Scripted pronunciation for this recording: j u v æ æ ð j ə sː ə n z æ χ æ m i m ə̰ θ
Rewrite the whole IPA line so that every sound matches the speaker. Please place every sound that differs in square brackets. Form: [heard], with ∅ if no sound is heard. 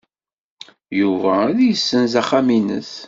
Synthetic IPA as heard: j u v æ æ ð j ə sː ə n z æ χ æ m i [n] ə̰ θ